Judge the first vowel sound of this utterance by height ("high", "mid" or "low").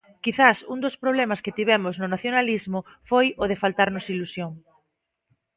high